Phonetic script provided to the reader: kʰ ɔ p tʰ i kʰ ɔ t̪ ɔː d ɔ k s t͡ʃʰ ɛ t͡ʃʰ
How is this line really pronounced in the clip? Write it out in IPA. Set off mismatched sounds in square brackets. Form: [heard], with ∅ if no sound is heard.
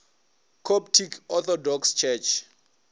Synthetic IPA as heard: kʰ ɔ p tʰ i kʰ ɔ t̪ [ɔ] d ɔ k s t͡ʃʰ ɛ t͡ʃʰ